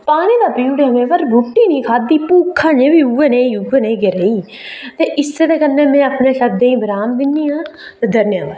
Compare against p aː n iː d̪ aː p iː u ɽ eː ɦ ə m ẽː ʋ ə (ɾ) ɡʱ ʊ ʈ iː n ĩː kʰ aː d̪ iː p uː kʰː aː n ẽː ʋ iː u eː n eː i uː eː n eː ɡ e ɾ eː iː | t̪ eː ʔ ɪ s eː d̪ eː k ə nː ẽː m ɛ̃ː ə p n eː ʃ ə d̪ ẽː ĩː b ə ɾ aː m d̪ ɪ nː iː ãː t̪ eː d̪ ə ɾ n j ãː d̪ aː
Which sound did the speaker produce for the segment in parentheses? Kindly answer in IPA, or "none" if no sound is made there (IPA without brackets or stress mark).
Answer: ɾ